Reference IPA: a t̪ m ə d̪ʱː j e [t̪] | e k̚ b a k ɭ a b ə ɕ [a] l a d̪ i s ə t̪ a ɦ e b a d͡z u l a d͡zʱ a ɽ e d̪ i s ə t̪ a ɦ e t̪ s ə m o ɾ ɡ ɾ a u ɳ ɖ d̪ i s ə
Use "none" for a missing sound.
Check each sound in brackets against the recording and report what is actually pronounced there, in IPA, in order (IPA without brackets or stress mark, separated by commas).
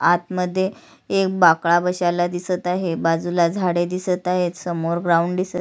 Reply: none, a